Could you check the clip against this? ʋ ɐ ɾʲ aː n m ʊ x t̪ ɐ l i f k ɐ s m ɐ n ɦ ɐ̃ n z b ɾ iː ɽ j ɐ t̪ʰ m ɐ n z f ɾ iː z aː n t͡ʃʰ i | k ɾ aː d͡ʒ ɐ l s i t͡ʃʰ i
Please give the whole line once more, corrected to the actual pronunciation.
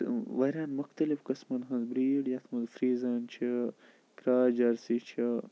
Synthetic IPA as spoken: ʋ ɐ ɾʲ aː n m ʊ x t̪ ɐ l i f k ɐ s m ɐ n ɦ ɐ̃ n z b ɾ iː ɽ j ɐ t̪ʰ m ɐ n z f ɾ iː z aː n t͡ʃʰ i | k ɾ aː d͡ʒ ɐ ɾ s i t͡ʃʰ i